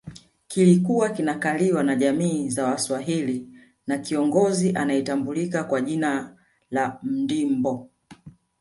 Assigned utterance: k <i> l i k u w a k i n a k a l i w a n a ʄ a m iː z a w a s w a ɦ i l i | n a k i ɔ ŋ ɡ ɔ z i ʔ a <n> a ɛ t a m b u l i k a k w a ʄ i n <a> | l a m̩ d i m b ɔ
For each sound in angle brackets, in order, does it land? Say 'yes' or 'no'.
yes, yes, yes

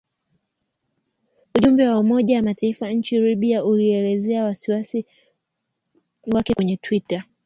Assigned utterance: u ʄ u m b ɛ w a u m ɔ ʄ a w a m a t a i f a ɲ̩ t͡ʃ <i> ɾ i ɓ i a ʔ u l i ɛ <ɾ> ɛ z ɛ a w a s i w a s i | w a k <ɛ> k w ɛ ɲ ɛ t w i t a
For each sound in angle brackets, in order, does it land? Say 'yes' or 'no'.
yes, no, yes

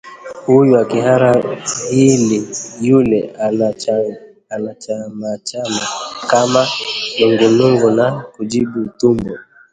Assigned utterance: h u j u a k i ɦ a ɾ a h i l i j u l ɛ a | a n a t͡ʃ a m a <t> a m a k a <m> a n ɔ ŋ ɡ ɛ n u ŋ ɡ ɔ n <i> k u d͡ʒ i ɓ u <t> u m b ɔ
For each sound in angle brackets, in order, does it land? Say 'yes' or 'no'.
no, yes, no, yes

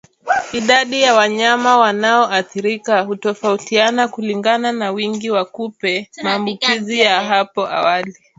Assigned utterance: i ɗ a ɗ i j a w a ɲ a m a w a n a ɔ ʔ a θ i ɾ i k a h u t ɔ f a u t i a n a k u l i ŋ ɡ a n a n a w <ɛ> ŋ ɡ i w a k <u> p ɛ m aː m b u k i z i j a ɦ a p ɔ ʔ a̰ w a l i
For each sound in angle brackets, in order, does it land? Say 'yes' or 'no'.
no, yes

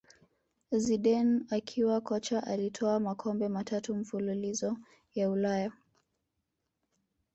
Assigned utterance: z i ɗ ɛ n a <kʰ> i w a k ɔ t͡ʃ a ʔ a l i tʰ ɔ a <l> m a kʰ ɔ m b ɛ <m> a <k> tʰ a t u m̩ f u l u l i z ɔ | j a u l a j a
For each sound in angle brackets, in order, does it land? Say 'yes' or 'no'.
yes, no, yes, no

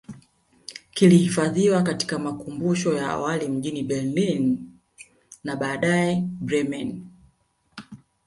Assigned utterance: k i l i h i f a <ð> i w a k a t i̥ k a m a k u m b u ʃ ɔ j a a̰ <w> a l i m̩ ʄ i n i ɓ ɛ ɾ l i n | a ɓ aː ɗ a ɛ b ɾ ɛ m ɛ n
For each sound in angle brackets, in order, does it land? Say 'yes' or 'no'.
yes, yes

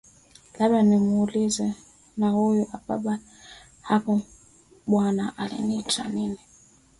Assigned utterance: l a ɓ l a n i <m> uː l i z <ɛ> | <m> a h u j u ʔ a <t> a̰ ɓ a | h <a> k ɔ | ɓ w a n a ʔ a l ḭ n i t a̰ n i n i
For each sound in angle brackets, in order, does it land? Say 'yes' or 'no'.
yes, yes, no, no, yes

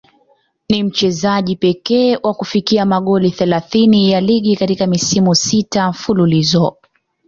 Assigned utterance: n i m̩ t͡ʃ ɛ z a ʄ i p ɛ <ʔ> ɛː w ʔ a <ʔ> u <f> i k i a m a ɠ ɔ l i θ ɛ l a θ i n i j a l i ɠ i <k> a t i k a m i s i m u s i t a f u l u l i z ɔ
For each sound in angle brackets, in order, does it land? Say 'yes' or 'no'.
no, no, yes, yes

